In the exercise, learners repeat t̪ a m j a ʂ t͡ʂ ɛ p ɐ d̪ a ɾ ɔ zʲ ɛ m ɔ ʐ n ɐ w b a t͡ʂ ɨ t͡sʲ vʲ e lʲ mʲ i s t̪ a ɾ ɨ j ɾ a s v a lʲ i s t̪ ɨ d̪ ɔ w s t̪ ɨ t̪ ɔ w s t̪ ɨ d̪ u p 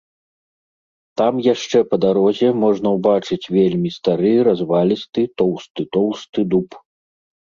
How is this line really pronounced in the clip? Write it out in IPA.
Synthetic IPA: t̪ a m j a ʂ t͡ʂ ɛ p ɐ d̪ a ɾ ɔ zʲ ɛ m ɔ ʐ n ɐ w b a t͡ʂ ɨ t͡sʲ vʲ e lʲ mʲ i s t̪ a ɾ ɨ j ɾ a z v a lʲ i s t̪ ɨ t̪ ɔ w s t̪ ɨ t̪ ɔ w s t̪ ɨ d̪ u p